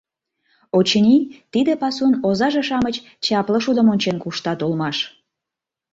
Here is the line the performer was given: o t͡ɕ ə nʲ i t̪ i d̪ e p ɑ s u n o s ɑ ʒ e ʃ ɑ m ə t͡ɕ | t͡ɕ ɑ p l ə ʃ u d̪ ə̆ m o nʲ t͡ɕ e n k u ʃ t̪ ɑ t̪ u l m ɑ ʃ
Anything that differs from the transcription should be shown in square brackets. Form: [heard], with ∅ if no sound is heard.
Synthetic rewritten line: o t͡ɕ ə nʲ i t̪ i d̪ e p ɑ s u n o [z] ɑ ʒ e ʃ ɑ m ə t͡ɕ | t͡ɕ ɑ p l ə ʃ u d̪ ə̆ m o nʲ t͡ɕ e n k u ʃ t̪ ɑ t̪ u l m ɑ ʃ